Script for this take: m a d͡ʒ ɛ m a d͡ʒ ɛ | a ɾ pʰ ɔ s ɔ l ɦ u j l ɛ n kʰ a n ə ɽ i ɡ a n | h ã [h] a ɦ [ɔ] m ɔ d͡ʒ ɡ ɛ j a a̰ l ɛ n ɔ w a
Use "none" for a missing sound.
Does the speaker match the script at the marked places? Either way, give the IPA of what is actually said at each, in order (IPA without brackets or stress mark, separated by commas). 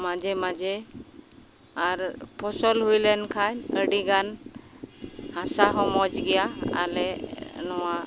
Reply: s, ɔ